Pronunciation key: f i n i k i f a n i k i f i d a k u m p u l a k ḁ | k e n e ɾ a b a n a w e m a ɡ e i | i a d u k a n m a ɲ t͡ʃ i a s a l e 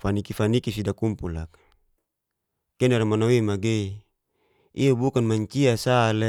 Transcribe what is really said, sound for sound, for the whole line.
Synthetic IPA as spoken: f a n i k i f a n i k i s i d a k u m p u l a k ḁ | k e n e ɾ a m a n a w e m a ɡ e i | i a b u k a n m a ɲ t͡ʃ i a s a l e